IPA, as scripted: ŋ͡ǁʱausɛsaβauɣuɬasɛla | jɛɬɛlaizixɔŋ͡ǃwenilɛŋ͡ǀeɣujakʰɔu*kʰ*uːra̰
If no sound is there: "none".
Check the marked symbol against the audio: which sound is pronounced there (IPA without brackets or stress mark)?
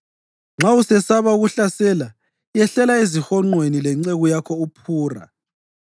pʰ